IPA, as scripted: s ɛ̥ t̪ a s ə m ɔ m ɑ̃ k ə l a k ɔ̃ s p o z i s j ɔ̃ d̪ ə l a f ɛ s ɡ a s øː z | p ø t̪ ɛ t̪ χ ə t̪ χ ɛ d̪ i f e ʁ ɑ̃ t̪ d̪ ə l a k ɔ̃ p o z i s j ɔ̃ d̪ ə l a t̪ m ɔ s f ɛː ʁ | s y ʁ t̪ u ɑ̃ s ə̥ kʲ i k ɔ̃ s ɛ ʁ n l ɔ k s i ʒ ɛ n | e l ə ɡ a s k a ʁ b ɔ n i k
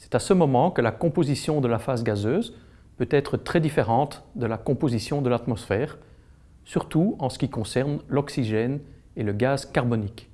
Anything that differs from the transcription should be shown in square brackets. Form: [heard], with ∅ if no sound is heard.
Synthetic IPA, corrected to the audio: s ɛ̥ t̪ a s ə m ɔ m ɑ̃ k ə l a k ɔ̃ [∅] p o z i s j ɔ̃ d̪ ə l a f [a] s ɡ a [z] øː z | p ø t̪ ɛ t̪ χ ə t̪ χ ɛ d̪ i f e ʁ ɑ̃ t̪ d̪ ə l a k ɔ̃ p o z i s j ɔ̃ d̪ ə l a t̪ m ɔ s f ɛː ʁ | s y ʁ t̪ u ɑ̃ s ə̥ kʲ i k ɔ̃ s ɛ ʁ n l ɔ k s i ʒ ɛ n | e l ə ɡ a [z] k a ʁ b ɔ n i k